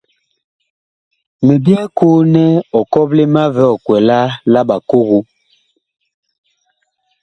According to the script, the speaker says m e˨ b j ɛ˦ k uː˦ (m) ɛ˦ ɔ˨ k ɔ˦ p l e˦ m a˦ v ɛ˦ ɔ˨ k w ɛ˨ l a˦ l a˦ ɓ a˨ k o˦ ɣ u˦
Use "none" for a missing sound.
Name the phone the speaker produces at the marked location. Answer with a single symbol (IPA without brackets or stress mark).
n